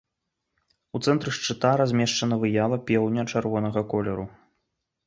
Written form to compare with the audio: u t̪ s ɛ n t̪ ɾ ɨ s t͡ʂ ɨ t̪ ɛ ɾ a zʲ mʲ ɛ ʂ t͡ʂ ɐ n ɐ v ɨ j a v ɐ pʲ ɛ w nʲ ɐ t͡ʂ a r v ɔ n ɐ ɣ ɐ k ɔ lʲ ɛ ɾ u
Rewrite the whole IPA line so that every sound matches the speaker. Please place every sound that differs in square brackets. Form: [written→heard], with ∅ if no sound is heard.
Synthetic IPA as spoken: u t̪ s ɛ n t̪ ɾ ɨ [s→ʂ] t͡ʂ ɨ t̪ [ɛ→a] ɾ a zʲ mʲ ɛ ʂ t͡ʂ ɐ n ɐ v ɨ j a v ɐ pʲ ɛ w nʲ ɐ t͡ʂ a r v ɔ n ɐ ɣ ɐ k ɔ lʲ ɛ ɾ u